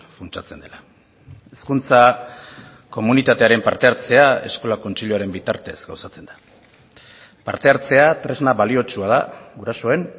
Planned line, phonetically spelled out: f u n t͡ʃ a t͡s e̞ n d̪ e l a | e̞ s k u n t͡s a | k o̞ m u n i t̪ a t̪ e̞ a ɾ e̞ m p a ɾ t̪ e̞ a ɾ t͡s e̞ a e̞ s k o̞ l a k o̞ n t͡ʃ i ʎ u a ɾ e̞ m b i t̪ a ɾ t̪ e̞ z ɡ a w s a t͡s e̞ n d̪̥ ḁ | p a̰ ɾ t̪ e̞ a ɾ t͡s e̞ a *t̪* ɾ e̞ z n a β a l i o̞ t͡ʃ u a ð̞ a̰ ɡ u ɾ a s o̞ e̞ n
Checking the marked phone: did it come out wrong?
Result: no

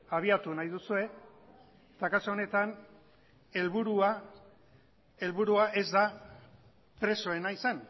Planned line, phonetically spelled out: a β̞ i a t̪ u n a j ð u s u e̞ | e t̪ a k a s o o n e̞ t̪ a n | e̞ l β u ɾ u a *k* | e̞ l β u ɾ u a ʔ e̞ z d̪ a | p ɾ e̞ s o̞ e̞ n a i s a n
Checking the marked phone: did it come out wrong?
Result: yes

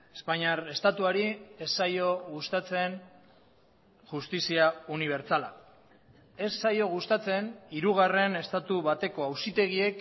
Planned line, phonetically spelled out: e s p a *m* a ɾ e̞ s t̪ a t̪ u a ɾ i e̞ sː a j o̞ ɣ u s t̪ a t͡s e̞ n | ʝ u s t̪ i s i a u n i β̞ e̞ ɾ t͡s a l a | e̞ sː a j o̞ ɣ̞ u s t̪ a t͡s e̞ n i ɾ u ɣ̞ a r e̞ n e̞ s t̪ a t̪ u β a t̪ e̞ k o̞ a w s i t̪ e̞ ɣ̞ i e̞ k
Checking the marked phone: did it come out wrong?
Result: yes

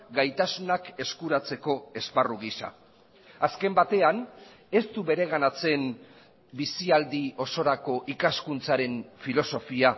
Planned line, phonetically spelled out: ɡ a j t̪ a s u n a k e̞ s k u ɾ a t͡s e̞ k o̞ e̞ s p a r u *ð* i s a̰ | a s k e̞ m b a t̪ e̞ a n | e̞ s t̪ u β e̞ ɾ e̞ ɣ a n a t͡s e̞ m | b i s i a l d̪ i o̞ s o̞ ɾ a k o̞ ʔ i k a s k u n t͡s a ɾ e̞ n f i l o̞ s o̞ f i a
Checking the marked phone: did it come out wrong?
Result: yes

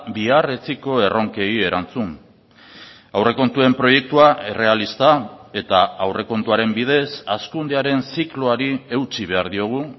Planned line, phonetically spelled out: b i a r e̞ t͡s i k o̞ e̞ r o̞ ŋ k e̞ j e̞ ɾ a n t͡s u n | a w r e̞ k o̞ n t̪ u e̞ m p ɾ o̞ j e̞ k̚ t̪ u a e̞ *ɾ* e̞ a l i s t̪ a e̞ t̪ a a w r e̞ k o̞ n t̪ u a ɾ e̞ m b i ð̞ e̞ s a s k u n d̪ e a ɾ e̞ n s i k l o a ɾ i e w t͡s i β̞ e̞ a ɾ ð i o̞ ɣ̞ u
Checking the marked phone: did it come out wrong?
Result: yes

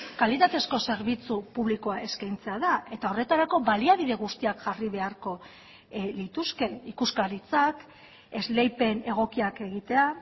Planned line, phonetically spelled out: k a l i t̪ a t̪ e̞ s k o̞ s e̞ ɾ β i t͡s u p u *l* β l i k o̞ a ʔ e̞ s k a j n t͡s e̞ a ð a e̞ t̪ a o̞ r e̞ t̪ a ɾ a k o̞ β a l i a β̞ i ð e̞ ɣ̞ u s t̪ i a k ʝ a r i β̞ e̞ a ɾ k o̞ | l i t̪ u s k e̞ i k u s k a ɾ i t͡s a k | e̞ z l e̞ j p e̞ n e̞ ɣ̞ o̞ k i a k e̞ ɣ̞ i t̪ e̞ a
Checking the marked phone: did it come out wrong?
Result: yes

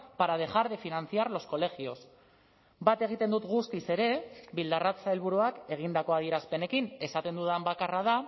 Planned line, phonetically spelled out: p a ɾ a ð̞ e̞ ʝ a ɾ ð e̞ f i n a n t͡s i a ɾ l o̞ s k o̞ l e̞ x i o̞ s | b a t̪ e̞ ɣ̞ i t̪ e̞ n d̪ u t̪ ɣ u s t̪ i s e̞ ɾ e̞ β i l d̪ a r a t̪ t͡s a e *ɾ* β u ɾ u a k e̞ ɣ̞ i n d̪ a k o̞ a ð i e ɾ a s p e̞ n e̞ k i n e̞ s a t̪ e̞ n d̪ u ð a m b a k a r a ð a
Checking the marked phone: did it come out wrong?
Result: yes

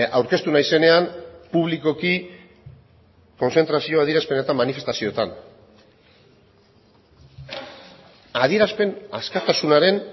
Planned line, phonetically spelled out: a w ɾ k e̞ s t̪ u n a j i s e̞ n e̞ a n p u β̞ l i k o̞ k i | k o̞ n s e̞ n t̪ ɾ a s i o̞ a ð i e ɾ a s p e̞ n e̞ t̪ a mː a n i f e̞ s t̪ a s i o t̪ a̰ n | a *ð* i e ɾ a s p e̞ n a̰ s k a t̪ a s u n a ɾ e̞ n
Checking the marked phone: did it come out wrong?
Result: no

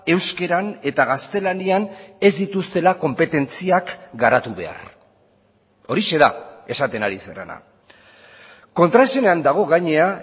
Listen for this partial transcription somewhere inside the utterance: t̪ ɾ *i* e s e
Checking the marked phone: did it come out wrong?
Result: yes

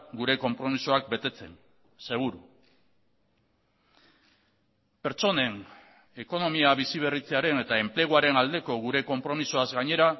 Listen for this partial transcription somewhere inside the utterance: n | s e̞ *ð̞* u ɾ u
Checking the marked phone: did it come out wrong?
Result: yes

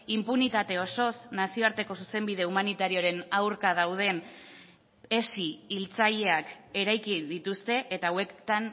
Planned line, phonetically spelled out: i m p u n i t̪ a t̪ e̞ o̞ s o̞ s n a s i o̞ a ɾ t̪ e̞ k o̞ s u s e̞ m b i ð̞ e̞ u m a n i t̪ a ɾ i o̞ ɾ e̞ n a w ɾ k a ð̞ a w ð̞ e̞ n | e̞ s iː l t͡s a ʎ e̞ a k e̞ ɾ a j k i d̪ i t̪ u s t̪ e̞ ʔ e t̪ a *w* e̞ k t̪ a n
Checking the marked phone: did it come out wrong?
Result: no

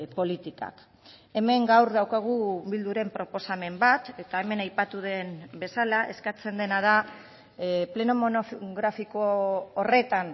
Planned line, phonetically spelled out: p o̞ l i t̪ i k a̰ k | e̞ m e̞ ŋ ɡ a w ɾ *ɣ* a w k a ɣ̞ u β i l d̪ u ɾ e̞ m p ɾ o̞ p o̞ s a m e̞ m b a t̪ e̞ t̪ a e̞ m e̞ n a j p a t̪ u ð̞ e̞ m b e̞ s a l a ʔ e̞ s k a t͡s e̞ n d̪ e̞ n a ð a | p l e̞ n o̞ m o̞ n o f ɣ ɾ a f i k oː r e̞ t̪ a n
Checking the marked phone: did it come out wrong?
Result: yes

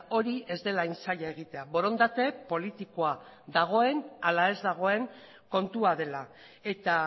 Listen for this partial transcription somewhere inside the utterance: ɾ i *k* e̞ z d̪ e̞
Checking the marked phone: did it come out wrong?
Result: yes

